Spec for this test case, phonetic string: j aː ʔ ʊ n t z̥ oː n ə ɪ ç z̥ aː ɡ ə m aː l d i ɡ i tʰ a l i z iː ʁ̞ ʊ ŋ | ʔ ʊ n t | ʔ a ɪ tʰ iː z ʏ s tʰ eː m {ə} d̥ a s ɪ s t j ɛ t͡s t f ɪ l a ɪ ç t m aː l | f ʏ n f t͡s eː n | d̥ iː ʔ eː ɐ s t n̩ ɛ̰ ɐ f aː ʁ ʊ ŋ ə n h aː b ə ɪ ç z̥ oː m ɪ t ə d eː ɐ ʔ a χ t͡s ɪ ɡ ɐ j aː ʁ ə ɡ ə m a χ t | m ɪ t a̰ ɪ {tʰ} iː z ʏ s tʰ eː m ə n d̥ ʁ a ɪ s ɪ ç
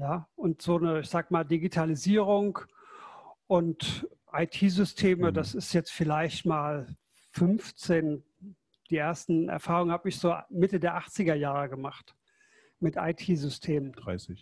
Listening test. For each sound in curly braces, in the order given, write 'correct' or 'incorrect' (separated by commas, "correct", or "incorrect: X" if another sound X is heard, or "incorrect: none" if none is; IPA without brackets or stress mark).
correct, correct